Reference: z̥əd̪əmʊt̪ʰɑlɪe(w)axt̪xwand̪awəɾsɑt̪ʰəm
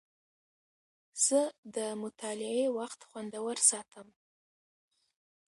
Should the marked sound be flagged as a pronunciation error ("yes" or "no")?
no